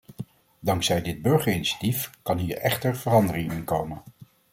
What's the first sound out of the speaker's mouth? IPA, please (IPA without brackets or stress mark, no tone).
d